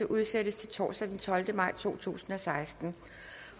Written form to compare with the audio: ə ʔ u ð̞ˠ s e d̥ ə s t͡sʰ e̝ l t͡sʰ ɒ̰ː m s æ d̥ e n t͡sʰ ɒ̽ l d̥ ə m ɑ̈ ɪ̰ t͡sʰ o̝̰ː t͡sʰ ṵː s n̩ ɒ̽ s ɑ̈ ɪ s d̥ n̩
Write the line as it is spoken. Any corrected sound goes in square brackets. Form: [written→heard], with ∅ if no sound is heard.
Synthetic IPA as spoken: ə ʔ u ð̞ˠ s e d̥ ə s t͡sʰ e̝ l t͡sʰ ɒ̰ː [m→∅] s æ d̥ e n t͡sʰ ɒ̽ l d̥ ə m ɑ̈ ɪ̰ t͡sʰ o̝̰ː t͡sʰ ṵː s n̩ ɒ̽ s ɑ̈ ɪ s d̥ n̩